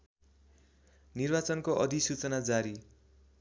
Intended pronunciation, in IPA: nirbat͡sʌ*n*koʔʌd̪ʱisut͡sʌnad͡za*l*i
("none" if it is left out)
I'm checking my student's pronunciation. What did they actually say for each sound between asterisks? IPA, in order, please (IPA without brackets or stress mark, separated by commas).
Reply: n, ɾ